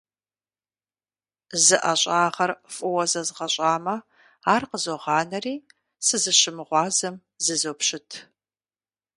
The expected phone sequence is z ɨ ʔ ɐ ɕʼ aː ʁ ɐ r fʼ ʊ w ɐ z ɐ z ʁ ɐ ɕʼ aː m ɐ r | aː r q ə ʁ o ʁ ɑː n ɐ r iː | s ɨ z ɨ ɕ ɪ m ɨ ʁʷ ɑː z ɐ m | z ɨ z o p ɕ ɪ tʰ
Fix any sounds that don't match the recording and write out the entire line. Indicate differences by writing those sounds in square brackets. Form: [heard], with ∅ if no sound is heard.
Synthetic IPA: z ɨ ʔ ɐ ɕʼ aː ʁ ɐ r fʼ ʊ w ɐ z ɐ z ʁ ɐ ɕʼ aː m ɐ [∅] | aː r q ə [z] o ʁ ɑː n ɐ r iː | s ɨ z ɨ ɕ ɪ m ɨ ʁʷ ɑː z ɐ m | z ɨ z o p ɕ ɪ tʰ